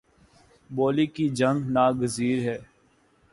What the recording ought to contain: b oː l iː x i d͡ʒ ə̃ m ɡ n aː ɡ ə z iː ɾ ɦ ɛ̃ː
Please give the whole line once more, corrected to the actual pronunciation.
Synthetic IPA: b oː l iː k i d͡ʒ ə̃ ŋ ɡ n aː ɡ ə z iː ɾ ɦ ɛː